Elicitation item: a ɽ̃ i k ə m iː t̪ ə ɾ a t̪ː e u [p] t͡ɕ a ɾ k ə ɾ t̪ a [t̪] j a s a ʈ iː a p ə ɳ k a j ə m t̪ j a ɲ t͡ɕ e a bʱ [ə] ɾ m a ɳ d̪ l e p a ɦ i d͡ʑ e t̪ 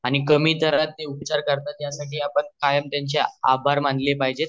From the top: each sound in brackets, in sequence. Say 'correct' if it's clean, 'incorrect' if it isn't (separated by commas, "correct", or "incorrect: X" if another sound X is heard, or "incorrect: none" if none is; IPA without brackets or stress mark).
correct, correct, incorrect: a